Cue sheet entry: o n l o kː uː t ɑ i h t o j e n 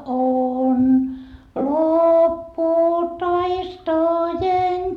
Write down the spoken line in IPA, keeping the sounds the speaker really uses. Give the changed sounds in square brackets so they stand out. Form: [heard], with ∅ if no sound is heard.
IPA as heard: o n l o [pː] uː t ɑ i [s] t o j e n